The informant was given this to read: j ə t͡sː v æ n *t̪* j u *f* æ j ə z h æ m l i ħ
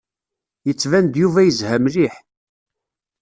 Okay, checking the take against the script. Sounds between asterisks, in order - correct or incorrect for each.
incorrect: d̪, incorrect: v

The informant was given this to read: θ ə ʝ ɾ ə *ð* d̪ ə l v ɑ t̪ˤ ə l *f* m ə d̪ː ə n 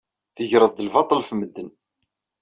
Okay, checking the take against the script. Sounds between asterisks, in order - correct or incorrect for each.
correct, correct

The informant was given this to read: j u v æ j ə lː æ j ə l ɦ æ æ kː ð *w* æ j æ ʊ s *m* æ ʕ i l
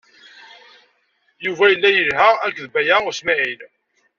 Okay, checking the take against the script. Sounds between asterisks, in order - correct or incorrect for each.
incorrect: b, correct

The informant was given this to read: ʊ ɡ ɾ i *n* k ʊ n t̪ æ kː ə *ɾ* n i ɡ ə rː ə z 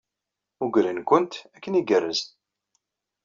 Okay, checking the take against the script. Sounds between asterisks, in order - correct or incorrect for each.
correct, incorrect: none

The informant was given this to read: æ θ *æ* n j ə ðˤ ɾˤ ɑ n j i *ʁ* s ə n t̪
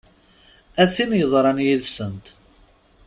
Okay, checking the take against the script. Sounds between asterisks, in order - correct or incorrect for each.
incorrect: i, incorrect: ð

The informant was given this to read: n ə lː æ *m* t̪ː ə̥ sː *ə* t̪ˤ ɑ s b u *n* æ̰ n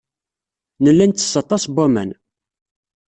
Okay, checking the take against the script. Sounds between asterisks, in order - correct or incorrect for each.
incorrect: n, incorrect: ɑ, incorrect: m

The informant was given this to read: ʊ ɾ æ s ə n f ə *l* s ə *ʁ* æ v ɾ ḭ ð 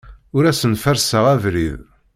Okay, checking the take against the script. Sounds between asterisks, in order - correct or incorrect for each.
incorrect: ɾ, correct

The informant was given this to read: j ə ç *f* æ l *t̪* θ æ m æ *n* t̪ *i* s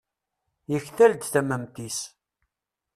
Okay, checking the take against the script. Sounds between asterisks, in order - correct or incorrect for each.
incorrect: θ, incorrect: d̪, incorrect: m, correct

